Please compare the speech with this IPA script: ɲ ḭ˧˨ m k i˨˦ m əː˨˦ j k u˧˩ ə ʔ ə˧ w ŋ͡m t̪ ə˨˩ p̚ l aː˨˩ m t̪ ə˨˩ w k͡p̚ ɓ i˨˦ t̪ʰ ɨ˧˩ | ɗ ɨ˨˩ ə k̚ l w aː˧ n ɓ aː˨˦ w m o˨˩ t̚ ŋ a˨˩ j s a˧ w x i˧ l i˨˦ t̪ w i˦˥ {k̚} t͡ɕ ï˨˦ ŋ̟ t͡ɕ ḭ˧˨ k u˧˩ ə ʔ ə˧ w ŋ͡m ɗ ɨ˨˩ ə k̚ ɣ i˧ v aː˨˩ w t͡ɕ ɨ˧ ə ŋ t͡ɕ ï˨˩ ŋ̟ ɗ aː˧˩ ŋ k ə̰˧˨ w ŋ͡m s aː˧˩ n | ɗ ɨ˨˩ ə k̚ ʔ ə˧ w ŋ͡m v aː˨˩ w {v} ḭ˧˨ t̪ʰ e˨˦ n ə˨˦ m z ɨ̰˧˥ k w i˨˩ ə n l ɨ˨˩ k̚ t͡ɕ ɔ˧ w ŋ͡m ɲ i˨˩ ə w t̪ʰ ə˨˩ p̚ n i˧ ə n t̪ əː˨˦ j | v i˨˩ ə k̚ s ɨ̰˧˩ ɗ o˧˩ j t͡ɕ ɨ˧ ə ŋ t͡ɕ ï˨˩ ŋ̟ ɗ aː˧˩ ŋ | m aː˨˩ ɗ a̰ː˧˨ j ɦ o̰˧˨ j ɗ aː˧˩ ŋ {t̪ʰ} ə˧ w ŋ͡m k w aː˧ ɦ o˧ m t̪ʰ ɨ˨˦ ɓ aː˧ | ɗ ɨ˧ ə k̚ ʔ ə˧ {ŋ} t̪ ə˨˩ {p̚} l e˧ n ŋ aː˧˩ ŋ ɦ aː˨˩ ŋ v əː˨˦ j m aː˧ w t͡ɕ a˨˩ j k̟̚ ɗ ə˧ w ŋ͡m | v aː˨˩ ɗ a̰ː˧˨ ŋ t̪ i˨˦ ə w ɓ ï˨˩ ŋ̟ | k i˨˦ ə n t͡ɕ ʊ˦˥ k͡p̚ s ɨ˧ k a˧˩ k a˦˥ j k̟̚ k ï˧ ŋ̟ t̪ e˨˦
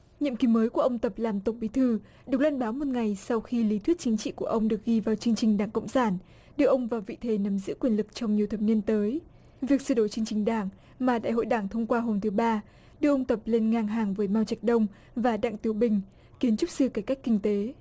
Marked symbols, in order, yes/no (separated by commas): no, yes, yes, no, yes